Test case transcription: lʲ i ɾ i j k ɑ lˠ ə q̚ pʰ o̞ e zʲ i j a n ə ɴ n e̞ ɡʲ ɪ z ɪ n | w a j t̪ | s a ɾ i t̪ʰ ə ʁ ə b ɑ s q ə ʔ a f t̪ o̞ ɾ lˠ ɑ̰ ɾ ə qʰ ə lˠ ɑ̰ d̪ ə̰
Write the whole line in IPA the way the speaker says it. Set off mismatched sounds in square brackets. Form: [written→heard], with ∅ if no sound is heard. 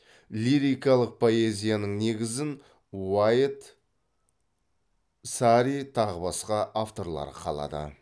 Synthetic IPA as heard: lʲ i ɾ i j k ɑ lˠ ə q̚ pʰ o̞ e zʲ i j a n ə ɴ n e̞ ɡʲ ɪ z ɪ n | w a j t̪ | s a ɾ i t̪ʰ [ə→ɑ] ʁ ə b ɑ s q [ə→ɑ] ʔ a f t̪ o̞ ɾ lˠ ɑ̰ ɾ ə qʰ [ə→ɑ] lˠ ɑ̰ d̪ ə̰